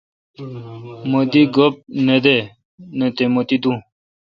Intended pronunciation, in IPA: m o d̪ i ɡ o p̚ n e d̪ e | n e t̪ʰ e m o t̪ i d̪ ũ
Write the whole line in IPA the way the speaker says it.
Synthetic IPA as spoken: m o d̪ i ɡ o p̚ n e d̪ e | n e t̪ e m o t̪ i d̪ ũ